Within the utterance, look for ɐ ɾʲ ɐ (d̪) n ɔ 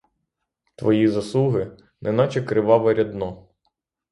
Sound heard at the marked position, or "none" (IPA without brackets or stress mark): d̪